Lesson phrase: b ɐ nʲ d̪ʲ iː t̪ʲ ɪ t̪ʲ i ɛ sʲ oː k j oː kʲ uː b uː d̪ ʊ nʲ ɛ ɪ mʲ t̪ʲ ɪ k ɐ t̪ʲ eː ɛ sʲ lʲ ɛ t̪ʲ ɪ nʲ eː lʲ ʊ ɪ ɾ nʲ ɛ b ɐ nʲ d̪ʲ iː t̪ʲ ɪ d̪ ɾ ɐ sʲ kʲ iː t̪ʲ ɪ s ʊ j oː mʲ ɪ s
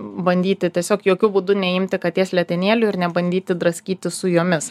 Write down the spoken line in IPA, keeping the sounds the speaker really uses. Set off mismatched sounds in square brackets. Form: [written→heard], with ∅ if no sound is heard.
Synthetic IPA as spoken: b ɐ nʲ d̪ʲ iː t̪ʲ ɪ t̪ʲ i ɛ sʲ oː k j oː kʲ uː b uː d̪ ʊ nʲ ɛ ɪ mʲ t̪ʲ ɪ k ɐ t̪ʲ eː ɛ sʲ lʲ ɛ t̪ʲ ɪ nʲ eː lʲ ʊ ɪ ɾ nʲ ɛ b ɐ nʲ d̪ʲ iː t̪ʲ ɪ d̪ ɾ ɐ sʲ kʲ iː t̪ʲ ɪ s ʊ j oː mʲ ɪ s